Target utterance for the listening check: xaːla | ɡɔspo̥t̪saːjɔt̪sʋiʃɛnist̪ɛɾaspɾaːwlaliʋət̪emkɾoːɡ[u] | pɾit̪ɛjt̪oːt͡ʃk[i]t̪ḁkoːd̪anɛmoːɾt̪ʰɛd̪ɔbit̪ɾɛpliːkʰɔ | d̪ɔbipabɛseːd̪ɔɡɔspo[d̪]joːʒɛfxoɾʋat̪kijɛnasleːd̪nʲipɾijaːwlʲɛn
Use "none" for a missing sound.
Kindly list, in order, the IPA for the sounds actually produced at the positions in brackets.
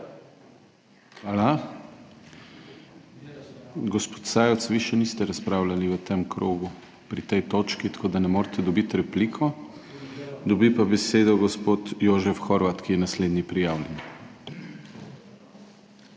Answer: u, i, t̪

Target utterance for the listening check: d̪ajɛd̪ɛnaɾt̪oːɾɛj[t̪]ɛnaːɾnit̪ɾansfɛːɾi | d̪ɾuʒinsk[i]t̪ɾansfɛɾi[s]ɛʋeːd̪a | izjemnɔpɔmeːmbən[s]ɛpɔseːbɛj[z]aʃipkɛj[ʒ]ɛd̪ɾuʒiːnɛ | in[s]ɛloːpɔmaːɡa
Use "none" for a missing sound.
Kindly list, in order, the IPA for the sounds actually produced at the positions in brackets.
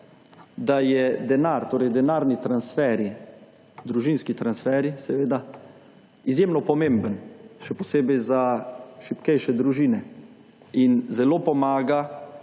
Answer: d̪, i, s, ʃ, z, ʃ, z

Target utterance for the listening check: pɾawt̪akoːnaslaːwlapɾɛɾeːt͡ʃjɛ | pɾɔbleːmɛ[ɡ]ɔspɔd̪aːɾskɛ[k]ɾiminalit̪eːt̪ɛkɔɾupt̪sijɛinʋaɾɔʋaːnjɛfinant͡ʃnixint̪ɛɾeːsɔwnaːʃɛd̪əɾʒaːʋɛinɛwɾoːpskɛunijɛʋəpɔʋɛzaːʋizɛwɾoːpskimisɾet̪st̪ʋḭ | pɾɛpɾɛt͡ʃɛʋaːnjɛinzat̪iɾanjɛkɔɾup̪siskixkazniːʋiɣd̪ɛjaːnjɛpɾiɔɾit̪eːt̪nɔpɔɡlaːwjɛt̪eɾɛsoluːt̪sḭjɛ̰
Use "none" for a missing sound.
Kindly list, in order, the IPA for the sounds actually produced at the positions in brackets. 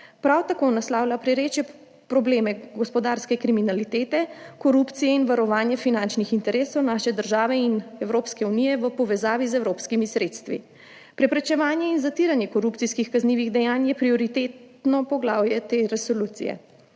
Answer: ɡ, k

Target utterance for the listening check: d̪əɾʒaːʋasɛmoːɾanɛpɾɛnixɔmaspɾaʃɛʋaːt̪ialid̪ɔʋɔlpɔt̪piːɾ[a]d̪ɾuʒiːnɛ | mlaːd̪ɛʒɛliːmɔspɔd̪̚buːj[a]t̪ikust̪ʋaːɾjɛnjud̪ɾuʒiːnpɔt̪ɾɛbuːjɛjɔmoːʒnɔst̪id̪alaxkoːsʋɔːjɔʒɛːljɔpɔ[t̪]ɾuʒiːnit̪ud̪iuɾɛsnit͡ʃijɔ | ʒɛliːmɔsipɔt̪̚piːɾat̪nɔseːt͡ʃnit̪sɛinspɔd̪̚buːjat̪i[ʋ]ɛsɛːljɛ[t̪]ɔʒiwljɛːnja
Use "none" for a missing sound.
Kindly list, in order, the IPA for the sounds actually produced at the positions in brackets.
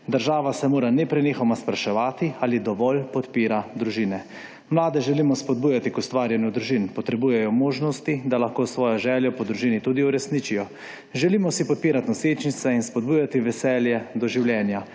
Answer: a, a, d̪, ʋ, d̪

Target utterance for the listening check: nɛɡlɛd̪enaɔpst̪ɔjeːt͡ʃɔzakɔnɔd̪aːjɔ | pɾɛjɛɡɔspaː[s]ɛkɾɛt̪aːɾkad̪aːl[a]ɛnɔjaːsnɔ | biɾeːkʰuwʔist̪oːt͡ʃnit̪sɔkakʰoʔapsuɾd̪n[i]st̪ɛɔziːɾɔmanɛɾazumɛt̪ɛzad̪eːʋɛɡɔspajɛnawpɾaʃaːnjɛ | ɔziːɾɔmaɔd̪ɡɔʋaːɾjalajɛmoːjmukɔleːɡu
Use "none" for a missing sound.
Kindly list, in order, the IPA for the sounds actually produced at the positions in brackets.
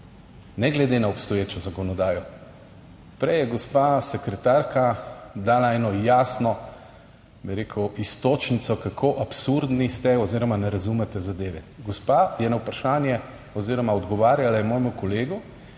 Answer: s, a, i

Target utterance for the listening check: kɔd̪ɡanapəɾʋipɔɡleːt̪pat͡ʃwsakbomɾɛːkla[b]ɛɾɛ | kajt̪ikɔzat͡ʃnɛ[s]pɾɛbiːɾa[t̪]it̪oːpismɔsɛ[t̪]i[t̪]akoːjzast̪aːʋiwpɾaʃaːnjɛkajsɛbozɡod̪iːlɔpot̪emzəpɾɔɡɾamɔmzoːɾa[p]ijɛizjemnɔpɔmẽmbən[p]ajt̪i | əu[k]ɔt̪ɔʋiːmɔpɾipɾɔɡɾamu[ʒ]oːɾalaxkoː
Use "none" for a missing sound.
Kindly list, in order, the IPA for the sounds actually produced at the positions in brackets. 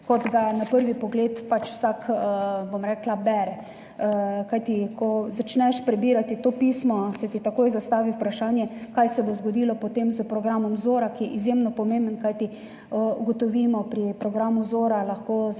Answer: b, ʃ, t̪, t̪, t̪, k, k, ɡ, z

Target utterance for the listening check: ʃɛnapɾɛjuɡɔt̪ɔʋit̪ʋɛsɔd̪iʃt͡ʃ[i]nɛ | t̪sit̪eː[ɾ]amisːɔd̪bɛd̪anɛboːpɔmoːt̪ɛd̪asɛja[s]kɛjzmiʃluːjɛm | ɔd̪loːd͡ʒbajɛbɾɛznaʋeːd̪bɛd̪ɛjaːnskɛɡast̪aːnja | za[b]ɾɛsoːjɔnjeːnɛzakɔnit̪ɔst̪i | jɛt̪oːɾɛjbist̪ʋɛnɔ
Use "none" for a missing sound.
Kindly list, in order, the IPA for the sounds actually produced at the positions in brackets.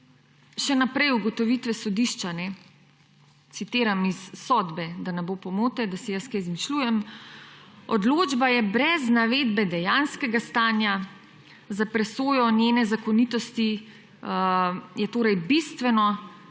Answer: a, ɾ, s, p

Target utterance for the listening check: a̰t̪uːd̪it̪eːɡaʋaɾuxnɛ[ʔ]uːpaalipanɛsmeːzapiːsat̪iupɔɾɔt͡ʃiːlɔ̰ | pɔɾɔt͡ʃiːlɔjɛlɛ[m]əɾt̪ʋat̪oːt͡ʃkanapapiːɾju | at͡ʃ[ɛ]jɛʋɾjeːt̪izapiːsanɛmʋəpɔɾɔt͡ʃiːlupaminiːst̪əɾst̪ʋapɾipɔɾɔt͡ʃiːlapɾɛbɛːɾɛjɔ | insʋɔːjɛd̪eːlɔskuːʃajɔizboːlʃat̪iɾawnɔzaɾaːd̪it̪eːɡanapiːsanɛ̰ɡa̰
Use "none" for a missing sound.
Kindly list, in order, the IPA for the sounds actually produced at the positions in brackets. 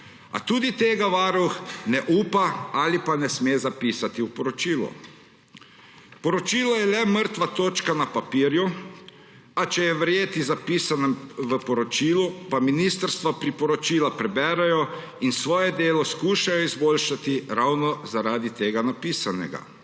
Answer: ʔ, m, ɛ

